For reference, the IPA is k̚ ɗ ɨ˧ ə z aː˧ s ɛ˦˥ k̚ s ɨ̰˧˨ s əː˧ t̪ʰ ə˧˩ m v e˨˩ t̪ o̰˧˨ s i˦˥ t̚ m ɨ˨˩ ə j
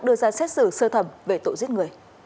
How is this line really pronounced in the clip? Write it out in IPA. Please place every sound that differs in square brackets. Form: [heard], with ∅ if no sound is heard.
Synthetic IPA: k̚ ɗ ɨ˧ ə z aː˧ s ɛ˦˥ [t̚] s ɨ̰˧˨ s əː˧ t̪ʰ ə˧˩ m v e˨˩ t̪ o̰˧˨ [z] i˦˥ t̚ [ŋ] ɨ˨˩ ə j